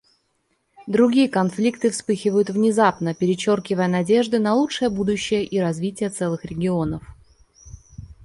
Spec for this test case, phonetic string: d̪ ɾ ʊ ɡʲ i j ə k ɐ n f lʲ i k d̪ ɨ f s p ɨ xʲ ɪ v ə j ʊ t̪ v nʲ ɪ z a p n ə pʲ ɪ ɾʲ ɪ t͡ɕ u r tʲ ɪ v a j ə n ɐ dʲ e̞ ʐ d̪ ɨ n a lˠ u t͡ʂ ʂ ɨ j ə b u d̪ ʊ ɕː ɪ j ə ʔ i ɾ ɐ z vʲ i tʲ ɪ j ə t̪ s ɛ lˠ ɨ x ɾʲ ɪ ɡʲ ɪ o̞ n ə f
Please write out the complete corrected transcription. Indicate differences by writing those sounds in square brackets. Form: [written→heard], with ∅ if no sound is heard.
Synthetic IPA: d̪ ɾ ʊ ɡʲ i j ə k ɐ n f lʲ i k [d̪→t̪] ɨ f s p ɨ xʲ ɪ v ə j ʊ t̪ v nʲ ɪ z a p n ə pʲ ɪ ɾʲ ɪ t͡ɕ [u→o] r [tʲ→kʲ] ɪ v [a→ə] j ə n ɐ dʲ e̞ ʐ d̪ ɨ n [a→ɐ] lˠ u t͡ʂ ʂ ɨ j ə b u d̪ ʊ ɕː ɪ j ə ʔ i ɾ ɐ z vʲ i tʲ ɪ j ə t̪ s ɛ lˠ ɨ x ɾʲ ɪ ɡʲ ɪ o̞ n ə f